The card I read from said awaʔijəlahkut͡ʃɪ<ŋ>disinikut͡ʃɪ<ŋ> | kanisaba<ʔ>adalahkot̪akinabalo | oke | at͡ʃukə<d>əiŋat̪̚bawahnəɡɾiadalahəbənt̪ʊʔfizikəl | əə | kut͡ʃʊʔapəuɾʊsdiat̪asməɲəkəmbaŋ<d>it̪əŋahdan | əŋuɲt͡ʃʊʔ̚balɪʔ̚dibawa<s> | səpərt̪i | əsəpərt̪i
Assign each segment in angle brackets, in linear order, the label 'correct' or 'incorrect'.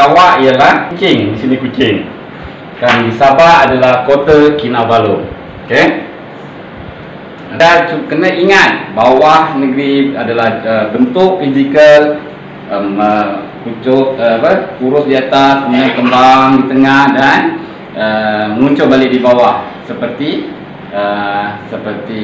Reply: correct, correct, correct, incorrect: n, correct, incorrect: h

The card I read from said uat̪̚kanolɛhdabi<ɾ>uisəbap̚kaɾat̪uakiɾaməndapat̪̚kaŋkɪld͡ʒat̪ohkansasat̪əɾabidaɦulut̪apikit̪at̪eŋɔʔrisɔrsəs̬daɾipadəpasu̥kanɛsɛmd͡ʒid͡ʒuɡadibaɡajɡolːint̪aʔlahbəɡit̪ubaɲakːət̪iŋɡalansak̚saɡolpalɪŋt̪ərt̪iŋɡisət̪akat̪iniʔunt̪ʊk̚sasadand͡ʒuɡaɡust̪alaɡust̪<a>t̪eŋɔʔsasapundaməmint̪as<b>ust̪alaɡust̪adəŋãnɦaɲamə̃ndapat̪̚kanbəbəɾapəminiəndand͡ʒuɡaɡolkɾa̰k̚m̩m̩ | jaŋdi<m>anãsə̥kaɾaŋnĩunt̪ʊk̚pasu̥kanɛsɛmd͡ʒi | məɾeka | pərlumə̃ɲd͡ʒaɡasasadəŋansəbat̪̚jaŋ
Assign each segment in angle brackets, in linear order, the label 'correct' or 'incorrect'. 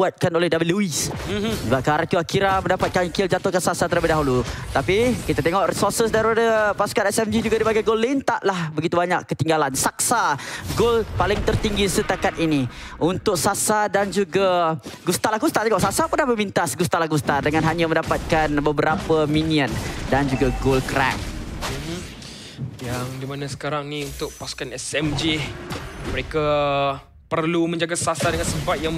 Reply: incorrect: l, correct, incorrect: ɡ, correct

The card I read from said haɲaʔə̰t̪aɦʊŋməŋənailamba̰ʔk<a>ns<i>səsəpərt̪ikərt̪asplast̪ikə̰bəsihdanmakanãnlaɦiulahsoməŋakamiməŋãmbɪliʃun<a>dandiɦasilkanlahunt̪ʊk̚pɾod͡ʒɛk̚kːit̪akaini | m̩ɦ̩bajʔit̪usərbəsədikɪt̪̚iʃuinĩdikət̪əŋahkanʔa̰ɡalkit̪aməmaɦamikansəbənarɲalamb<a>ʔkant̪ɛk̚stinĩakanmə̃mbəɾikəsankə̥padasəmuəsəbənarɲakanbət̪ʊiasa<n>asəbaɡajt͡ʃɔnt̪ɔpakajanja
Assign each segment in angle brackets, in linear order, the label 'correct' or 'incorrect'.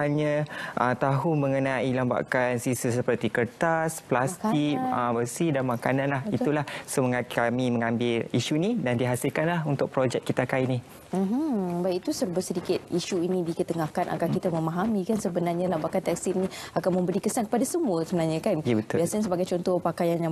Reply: correct, correct, incorrect: i, correct, incorrect: ɲ

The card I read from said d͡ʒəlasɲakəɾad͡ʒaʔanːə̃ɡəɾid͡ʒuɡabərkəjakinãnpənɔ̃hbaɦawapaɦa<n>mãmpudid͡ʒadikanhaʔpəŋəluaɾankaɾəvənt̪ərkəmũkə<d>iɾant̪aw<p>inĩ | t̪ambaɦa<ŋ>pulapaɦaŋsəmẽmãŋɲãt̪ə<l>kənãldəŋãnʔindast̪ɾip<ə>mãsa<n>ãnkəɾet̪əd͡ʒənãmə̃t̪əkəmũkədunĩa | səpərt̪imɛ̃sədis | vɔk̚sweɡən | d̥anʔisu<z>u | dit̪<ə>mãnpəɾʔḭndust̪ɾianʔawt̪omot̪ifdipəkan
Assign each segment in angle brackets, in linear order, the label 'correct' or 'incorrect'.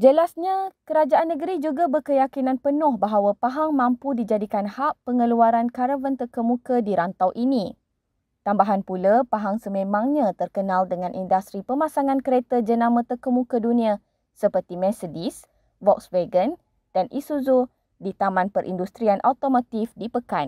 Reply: incorrect: ŋ, correct, incorrect: ʔ, incorrect: n, incorrect: r, correct, incorrect: ŋ, correct, incorrect: a

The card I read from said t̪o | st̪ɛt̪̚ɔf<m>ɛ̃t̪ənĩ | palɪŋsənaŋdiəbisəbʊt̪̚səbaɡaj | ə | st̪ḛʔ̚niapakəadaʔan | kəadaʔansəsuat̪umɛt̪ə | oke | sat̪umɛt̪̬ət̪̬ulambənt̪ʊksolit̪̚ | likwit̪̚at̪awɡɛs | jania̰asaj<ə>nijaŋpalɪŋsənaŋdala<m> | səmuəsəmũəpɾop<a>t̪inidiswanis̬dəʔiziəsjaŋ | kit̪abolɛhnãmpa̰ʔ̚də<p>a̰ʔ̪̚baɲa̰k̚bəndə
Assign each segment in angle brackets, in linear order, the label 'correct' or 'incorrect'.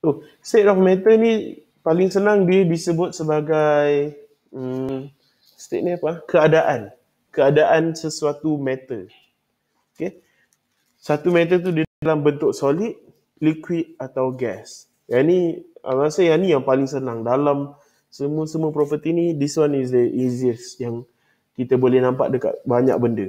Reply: correct, incorrect: a, correct, incorrect: ə, incorrect: k

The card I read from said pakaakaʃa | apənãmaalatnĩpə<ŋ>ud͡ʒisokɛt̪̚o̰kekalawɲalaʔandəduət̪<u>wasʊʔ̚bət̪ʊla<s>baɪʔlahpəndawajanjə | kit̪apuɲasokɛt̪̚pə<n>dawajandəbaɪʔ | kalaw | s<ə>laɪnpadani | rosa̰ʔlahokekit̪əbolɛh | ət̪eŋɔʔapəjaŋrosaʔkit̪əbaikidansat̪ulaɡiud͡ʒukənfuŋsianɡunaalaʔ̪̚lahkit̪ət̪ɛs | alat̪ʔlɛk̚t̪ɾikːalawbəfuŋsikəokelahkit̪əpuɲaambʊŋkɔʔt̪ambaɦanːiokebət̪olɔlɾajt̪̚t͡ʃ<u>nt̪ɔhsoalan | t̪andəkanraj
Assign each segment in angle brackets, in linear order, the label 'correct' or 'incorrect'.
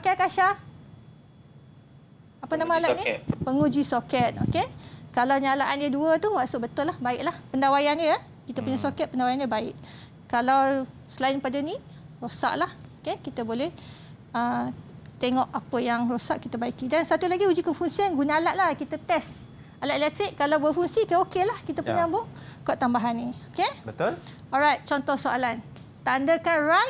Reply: correct, correct, incorrect: h, correct, correct, incorrect: ɔ

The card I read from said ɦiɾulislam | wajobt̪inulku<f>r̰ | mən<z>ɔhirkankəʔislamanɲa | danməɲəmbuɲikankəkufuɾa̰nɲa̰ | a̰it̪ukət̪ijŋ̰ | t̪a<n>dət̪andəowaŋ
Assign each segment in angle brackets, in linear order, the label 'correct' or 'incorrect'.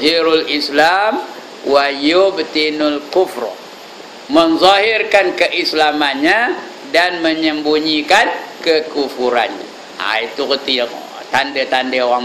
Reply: correct, correct, correct

